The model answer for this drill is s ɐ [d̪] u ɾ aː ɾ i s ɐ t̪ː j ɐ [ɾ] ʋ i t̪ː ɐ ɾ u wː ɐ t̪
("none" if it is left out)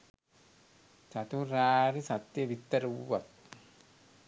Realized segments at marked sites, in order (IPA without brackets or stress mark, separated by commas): t̪, none